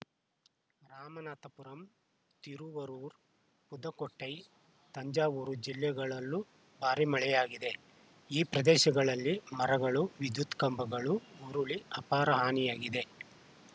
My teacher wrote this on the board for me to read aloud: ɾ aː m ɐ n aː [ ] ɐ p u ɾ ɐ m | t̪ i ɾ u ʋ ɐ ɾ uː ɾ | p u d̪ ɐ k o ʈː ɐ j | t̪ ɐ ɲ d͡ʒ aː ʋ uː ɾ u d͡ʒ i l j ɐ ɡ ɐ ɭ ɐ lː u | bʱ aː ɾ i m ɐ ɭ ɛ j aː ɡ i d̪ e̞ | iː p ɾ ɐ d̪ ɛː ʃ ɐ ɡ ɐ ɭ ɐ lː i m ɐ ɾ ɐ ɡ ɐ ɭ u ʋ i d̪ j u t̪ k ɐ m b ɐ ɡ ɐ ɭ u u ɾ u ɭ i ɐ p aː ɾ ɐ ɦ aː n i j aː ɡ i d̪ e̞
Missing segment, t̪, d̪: t̪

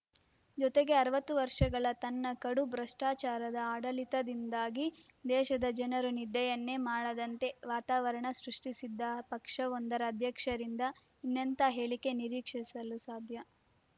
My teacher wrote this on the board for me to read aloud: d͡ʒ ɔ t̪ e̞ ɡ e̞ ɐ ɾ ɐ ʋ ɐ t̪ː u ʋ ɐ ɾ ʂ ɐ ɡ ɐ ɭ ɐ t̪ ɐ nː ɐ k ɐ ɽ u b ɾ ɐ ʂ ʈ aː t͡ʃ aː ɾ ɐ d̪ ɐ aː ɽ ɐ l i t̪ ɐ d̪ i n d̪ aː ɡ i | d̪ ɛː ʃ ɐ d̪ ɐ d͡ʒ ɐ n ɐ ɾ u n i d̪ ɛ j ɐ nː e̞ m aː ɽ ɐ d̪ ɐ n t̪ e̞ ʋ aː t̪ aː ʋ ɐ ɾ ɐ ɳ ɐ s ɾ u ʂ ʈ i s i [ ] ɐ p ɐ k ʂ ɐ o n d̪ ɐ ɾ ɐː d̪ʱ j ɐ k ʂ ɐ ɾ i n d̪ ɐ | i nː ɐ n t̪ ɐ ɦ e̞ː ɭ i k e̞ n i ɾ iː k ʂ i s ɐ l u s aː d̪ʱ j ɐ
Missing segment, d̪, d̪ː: d̪ː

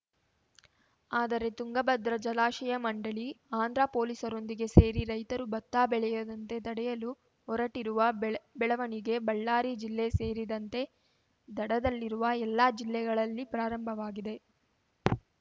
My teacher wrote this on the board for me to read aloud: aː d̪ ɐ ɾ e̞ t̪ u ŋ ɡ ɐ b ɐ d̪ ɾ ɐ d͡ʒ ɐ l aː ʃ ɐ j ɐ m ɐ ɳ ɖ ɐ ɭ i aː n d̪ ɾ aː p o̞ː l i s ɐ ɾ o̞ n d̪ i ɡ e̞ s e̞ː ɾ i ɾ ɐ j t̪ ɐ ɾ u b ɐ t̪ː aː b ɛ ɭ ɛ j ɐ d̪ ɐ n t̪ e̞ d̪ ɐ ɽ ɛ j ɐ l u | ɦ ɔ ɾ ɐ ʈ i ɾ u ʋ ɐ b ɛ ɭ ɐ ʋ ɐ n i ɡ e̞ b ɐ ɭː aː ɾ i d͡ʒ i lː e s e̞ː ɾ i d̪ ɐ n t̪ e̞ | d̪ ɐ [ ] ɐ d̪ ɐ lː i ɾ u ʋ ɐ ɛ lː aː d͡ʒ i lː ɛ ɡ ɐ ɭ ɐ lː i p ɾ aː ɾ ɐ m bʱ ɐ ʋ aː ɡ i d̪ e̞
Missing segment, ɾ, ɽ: ɽ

